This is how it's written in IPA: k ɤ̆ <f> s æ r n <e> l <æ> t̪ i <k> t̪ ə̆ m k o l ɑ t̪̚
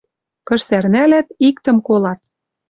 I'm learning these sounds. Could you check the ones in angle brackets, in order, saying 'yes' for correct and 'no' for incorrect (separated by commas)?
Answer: no, no, yes, yes